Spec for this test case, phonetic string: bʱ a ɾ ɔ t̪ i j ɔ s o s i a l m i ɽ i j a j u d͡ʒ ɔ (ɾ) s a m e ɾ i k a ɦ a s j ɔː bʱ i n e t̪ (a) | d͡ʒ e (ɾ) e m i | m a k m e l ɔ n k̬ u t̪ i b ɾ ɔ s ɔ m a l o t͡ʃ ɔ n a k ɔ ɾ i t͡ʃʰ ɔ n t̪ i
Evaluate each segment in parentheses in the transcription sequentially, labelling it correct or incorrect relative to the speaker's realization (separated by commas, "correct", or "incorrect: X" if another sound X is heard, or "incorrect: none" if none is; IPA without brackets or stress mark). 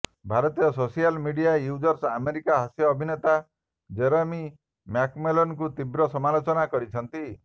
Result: correct, correct, correct